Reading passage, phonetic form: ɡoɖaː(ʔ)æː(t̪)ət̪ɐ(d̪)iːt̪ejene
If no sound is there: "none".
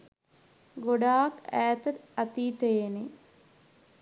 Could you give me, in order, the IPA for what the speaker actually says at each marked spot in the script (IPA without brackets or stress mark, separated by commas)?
k, t̪, t̪